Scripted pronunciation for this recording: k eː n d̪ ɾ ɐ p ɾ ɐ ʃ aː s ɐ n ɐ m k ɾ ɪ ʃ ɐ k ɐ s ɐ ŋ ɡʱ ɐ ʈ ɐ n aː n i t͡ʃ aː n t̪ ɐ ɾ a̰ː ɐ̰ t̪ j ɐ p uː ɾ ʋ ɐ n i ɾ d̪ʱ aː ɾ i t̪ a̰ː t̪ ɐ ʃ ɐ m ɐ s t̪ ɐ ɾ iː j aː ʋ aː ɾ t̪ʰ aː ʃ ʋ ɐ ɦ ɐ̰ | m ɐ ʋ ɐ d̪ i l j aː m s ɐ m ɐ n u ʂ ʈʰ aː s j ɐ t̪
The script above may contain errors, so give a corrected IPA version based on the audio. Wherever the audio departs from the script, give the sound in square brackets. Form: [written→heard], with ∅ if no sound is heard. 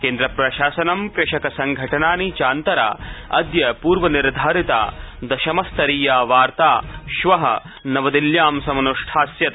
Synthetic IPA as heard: k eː n d̪ ɾ ɐ p ɾ ɐ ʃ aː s ɐ n ɐ m k ɾ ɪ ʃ ɐ k ɐ s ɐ ŋ ɡʱ ɐ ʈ ɐ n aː n i t͡ʃ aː n t̪ ɐ ɾ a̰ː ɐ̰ [t̪→d̪] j ɐ p uː ɾ ʋ ɐ n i ɾ d̪ʱ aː ɾ i t̪ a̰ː [t̪→d̪] ɐ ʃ ɐ m ɐ s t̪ ɐ ɾ iː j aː ʋ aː ɾ [t̪ʰ→t̪] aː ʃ ʋ ɐ ɦ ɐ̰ | [m→n] ɐ ʋ ɐ d̪ i l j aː m s ɐ m ɐ n u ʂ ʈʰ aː s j ɐ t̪

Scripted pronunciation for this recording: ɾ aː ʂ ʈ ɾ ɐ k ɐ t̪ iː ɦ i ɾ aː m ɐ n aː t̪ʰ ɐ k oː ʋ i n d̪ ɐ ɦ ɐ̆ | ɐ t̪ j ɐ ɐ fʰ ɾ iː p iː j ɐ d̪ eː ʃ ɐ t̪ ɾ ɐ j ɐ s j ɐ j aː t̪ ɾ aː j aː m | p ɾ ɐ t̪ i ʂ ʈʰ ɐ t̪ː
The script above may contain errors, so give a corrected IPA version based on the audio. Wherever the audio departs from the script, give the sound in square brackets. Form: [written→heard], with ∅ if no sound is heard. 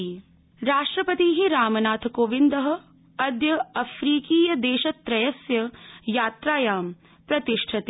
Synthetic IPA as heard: ɾ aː ʂ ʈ ɾ ɐ [k→p] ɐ t̪ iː ɦ i ɾ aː m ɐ n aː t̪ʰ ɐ k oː ʋ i n d̪ ɐ ɦ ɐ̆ | ɐ [t̪→d̪] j ɐ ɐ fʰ ɾ iː [p→k] iː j ɐ d̪ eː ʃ ɐ t̪ ɾ ɐ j ɐ s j ɐ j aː t̪ ɾ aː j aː m | p ɾ ɐ t̪ i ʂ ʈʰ ɐ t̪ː

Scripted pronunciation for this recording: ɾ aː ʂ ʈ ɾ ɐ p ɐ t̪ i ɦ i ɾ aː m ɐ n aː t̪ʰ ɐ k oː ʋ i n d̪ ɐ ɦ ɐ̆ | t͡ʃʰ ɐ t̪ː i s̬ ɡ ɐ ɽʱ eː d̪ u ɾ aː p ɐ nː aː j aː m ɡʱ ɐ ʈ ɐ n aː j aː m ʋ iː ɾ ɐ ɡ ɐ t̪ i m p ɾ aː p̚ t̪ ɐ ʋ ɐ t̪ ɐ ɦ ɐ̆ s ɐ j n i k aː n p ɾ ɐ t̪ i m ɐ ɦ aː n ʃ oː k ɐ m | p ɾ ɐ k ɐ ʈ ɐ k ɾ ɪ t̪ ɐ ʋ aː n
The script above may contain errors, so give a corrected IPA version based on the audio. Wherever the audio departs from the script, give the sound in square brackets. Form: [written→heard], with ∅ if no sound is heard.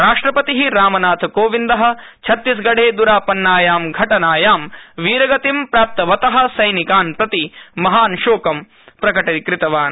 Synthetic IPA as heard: ɾ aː ʂ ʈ ɾ ɐ p ɐ t̪ i ɦ i ɾ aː m ɐ n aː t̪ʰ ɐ k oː ʋ i n d̪ ɐ ɦ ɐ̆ | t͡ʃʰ ɐ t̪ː i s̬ ɡ ɐ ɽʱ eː d̪ u ɾ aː p ɐ nː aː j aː m ɡʱ ɐ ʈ ɐ n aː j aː m ʋ iː ɾ ɐ ɡ ɐ t̪ i m p ɾ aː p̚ t̪ ɐ ʋ ɐ t̪ ɐ ɦ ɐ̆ s ɐ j n i k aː n p ɾ ɐ t̪ i m ɐ ɦ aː n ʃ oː k ɐ m | p ɾ ɐ k ɐ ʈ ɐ k ɾ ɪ t̪ ɐ ʋ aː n

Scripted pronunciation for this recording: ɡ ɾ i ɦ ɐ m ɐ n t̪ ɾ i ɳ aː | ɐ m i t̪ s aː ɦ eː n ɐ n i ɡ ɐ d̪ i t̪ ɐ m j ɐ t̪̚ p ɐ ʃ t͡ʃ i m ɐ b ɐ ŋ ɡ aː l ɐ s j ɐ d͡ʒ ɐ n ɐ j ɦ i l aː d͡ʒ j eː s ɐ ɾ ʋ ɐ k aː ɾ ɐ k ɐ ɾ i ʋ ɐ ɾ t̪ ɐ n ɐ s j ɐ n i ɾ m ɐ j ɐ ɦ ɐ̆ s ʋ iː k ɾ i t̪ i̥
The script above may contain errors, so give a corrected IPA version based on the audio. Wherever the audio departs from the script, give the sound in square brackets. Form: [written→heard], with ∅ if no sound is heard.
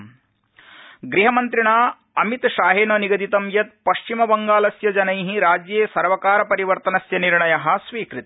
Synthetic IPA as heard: ɡ ɾ i ɦ ɐ m ɐ n t̪ ɾ i ɳ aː | ɐ m i t̪ [s→ʃ] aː ɦ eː n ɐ n i ɡ ɐ d̪ i t̪ ɐ m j ɐ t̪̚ p ɐ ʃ t͡ʃ i m ɐ b ɐ ŋ ɡ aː l ɐ s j ɐ d͡ʒ ɐ n ɐ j ɦ i [l→ɾ] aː d͡ʒ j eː s ɐ ɾ ʋ ɐ k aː ɾ ɐ [k→p] ɐ ɾ i ʋ ɐ ɾ t̪ ɐ n ɐ s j ɐ n i ɾ [m→ɳ] ɐ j ɐ ɦ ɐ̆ s ʋ iː k ɾ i t̪ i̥

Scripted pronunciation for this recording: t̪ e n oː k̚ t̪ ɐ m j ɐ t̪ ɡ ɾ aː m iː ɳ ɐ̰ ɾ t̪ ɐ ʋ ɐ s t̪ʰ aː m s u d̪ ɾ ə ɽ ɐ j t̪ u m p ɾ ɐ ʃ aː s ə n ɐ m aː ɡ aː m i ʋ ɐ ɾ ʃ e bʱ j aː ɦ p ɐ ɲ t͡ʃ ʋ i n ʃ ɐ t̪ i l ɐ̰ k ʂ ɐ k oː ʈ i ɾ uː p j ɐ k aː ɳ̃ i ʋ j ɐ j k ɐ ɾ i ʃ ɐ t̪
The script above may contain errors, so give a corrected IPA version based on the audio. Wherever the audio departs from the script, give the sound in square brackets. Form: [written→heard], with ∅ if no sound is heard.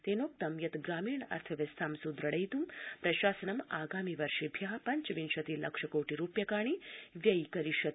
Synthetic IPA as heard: t̪ e n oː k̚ t̪ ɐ m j ɐ t̪ ɡ ɾ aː m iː ɳ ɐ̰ ɾ [t̪→t̪ʰ] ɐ ʋ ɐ s t̪ʰ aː m s u d̪ ɾ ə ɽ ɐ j t̪ u m p ɾ ɐ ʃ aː s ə n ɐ m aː ɡ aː m i ʋ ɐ ɾ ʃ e bʱ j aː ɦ p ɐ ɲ t͡ʃ ʋ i n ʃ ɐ t̪ i l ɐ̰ k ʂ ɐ k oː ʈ i ɾ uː p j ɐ k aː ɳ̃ i ʋ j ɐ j k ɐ ɾ i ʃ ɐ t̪

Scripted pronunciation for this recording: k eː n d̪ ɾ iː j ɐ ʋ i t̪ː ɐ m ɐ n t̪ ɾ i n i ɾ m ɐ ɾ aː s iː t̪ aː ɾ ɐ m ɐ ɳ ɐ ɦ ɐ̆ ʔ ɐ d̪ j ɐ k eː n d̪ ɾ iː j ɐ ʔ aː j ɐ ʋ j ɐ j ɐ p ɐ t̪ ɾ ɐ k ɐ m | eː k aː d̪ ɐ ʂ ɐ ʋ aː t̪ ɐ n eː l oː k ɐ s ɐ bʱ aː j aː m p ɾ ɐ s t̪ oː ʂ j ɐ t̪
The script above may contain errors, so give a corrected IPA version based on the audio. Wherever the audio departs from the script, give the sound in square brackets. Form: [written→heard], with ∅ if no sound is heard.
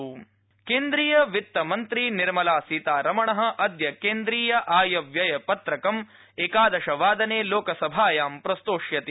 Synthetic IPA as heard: k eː n d̪ ɾ iː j ɐ ʋ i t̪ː ɐ m ɐ n t̪ ɾ i n i ɾ m ɐ [ɾ→l] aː s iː t̪ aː ɾ ɐ m ɐ ɳ ɐ ɦ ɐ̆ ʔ ɐ d̪ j ɐ k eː n d̪ ɾ iː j ɐ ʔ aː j ɐ ʋ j ɐ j ɐ p ɐ t̪ ɾ ɐ k ɐ m | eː k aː d̪ ɐ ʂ ɐ ʋ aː [t̪→d̪] ɐ n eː l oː k ɐ s ɐ bʱ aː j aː m p ɾ ɐ s t̪ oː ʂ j ɐ t̪

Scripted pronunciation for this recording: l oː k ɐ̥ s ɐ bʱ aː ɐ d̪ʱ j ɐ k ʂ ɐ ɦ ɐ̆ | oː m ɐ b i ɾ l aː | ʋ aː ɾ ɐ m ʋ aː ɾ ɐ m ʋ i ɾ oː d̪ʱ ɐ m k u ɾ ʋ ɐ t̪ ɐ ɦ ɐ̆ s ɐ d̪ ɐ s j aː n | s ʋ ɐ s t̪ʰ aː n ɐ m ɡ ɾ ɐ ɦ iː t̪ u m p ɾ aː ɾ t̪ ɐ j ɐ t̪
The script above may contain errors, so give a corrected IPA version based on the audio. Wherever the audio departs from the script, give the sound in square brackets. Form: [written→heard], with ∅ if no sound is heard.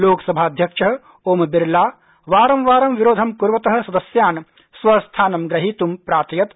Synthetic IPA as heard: l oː k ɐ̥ s ɐ bʱ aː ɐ d̪ʱ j ɐ k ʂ ɐ ɦ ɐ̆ | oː m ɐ b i ɾ l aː | ʋ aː ɾ ɐ m ʋ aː ɾ ɐ m ʋ i ɾ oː d̪ʱ ɐ m k u ɾ ʋ ɐ t̪ ɐ ɦ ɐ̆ s ɐ d̪ ɐ s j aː n | s ʋ ɐ s t̪ʰ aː n ɐ m ɡ ɾ ɐ ɦ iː t̪ u m p ɾ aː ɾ t̪ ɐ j ɐ t̪

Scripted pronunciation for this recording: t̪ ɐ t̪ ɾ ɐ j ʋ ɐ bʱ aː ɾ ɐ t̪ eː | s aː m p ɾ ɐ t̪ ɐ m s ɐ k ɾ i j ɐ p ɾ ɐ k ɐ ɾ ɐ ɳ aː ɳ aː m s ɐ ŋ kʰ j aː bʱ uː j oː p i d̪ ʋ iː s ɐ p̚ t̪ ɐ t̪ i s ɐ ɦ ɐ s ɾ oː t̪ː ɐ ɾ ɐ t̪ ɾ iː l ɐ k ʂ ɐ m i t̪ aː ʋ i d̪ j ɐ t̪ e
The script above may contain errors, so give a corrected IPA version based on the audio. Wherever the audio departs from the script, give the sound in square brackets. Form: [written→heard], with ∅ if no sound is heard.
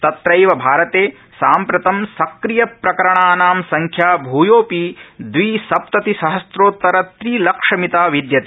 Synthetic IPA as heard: t̪ ɐ t̪ ɾ ɐ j ʋ ɐ bʱ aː ɾ ɐ t̪ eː | s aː m p ɾ ɐ t̪ ɐ m s ɐ k ɾ i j ɐ p ɾ ɐ k ɐ ɾ ɐ ɳ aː [ɳ→n] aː m s ɐ ŋ kʰ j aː bʱ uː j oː p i d̪ ʋ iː s ɐ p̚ t̪ ɐ t̪ i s ɐ ɦ ɐ s ɾ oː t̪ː ɐ ɾ ɐ t̪ ɾ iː l ɐ k ʂ ɐ m i t̪ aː ʋ i d̪ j ɐ t̪ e

